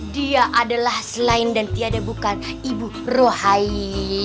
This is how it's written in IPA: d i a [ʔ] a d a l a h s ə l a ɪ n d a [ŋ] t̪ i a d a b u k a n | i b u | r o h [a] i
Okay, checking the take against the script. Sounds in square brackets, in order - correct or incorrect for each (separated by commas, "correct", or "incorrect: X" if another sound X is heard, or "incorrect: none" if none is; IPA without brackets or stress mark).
correct, incorrect: n, correct